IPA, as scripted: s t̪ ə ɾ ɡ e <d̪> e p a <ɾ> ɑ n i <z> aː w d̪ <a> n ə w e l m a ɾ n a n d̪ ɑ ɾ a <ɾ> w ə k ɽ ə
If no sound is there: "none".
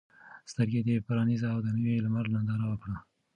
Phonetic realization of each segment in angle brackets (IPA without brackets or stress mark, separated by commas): d̪, ɾ, z, ə, none